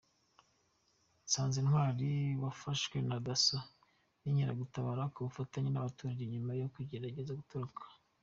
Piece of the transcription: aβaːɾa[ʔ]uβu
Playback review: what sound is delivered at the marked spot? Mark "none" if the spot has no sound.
k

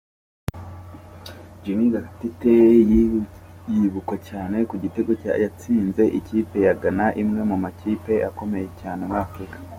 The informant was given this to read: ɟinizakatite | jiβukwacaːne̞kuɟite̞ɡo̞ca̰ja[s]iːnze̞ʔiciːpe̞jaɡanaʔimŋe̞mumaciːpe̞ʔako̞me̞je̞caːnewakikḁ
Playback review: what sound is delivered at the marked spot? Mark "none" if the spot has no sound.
t͡s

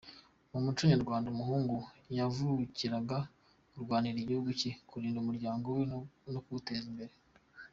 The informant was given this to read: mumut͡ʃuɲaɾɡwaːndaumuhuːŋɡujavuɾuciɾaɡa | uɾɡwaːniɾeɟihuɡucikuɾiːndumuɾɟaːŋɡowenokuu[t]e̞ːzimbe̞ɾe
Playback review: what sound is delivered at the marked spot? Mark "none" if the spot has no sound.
t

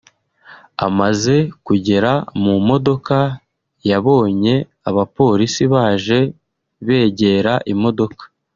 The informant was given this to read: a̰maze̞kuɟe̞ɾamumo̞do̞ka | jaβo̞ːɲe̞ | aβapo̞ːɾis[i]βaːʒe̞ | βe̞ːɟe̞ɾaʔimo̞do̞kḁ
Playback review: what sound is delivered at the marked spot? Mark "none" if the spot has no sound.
i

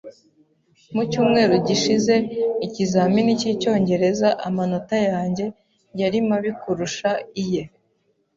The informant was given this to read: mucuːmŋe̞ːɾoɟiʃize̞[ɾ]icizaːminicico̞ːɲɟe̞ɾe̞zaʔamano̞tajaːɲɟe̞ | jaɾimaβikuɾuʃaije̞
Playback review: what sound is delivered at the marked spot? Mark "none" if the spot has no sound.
none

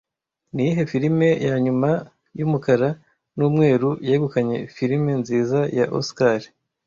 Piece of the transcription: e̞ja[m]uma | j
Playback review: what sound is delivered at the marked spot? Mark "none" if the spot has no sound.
ɲ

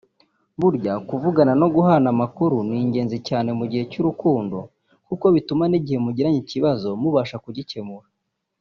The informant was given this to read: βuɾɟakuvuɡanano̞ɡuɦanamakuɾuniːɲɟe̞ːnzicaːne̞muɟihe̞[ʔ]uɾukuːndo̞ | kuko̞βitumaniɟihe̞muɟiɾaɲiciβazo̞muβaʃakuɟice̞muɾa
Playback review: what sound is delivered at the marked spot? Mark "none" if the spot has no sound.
c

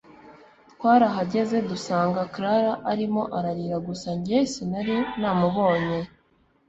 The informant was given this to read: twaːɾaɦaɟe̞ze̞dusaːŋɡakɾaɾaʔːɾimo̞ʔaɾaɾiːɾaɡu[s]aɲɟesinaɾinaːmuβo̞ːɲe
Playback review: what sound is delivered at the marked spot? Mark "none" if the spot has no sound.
s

